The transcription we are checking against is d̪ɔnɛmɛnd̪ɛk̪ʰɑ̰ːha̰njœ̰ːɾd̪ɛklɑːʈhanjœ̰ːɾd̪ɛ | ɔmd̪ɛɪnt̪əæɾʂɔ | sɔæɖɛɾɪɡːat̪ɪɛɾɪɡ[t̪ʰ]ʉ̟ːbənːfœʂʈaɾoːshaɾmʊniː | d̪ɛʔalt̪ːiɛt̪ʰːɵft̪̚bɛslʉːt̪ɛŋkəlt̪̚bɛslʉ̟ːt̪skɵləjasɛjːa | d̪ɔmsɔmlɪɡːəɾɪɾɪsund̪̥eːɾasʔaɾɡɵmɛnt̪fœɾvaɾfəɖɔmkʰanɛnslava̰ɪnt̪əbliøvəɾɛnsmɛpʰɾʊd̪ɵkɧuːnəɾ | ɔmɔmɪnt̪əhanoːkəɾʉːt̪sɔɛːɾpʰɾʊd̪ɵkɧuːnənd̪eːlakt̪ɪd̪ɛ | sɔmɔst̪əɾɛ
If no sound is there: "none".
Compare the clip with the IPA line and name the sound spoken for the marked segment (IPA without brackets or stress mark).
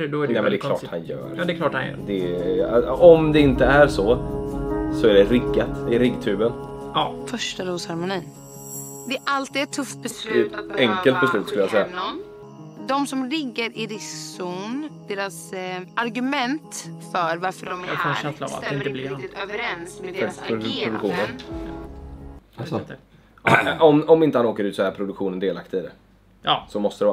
t̪ʰ